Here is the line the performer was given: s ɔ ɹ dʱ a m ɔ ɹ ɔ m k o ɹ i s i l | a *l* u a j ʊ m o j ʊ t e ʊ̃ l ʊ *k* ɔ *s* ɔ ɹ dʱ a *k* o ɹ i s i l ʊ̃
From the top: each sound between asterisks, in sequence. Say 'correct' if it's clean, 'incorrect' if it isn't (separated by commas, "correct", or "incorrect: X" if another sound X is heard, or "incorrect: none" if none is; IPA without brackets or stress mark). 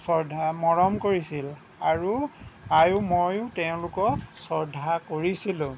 incorrect: ɹ, correct, correct, correct